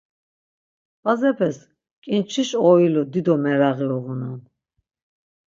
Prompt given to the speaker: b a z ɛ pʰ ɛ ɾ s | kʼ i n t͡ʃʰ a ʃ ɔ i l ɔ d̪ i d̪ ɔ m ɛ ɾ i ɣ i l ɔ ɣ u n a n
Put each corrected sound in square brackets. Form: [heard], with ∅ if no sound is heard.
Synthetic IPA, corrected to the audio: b a z ɛ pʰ ɛ [∅] s | kʼ i n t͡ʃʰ [i] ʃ ɔ i l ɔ d̪ i d̪ ɔ m ɛ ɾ [a] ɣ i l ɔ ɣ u n a n